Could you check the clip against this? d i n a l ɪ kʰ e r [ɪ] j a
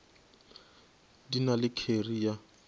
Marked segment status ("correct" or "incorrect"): incorrect